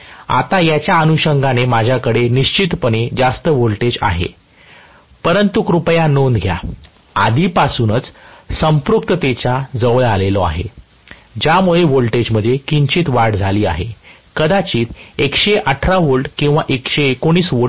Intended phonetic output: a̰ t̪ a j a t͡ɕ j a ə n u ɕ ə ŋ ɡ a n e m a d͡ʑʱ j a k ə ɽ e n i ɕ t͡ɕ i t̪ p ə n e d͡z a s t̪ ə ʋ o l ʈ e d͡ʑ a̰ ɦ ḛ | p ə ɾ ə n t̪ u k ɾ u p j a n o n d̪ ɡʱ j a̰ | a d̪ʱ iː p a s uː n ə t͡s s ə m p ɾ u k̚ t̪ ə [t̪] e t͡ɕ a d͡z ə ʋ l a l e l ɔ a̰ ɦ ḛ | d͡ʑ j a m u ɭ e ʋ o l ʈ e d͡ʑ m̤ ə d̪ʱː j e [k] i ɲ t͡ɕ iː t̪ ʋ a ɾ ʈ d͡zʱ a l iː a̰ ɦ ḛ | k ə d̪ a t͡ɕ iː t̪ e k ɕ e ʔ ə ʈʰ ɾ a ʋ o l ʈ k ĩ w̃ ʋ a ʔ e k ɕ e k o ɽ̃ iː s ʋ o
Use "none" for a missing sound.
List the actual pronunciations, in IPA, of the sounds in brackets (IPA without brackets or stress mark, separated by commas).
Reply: t̪, k